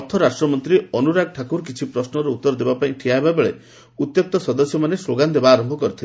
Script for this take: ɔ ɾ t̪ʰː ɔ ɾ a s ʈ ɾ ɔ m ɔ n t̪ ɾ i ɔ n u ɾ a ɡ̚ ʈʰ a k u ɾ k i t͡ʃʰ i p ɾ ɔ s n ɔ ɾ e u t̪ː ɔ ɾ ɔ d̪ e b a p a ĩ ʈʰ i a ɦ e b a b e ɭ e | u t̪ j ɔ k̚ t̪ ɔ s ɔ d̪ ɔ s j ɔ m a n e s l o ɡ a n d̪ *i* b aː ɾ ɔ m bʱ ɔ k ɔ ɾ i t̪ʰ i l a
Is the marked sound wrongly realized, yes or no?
yes